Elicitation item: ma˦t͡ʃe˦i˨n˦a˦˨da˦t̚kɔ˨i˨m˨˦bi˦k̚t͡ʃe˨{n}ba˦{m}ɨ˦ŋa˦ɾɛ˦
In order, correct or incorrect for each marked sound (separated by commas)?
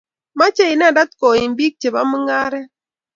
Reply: incorrect, correct